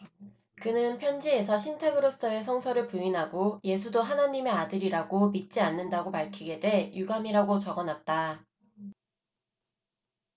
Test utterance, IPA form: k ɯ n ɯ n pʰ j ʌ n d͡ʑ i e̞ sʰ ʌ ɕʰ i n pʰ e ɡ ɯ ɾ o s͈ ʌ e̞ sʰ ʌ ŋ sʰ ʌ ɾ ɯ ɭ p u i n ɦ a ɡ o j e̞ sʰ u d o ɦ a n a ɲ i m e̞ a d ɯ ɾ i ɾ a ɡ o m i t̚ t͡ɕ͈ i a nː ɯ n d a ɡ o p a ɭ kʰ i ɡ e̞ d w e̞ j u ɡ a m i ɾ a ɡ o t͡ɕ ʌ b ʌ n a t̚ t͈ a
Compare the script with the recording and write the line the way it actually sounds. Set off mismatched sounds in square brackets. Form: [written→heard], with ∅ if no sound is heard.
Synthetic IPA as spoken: k ɯ n ɯ n pʰ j ʌ n d͡ʑ i e̞ sʰ ʌ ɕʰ i n [pʰ→tʰ] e ɡ ɯ ɾ o s͈ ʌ e̞ sʰ ʌ ŋ sʰ ʌ ɾ ɯ ɭ p u i n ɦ a ɡ o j e̞ sʰ u d o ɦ a n a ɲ i m e̞ a d ɯ ɾ i ɾ a ɡ o m i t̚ t͡ɕ͈ i a nː ɯ n d a ɡ o p a ɭ kʰ i ɡ e̞ d w e̞ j u ɡ a m i ɾ a ɡ o t͡ɕ ʌ [b→ɡ] ʌ n a t̚ t͈ a